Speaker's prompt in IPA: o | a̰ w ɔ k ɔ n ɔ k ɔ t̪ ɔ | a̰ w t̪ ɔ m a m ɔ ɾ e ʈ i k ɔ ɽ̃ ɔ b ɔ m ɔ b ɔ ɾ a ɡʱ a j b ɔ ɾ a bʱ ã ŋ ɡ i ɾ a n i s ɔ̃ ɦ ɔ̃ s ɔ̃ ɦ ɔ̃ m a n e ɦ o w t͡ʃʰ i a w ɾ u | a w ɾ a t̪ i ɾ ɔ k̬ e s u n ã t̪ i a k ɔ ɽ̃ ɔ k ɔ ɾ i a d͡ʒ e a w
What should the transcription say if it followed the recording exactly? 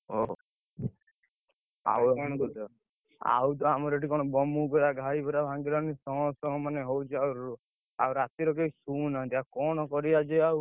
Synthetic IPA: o | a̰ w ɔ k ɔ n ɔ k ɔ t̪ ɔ | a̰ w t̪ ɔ a m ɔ ɾ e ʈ i k ɔ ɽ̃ ɔ b ɔ m u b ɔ ɾ a ɡʱ a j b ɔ ɾ a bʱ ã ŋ ɡ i ɾ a n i s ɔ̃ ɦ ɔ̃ s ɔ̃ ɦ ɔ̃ m a n e ɦ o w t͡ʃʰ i a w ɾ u | a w ɾ a t̪ i ɾ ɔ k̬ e s u n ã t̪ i a k ɔ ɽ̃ ɔ k ɔ ɾ i a d͡ʒ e a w